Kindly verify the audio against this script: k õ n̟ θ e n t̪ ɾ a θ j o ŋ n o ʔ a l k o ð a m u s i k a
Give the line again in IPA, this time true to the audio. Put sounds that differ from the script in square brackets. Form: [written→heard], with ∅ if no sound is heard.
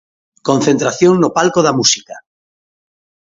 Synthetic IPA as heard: k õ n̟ θ e n t̪ ɾ a θ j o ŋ n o [ʔ→p] a l k o ð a m u s i k a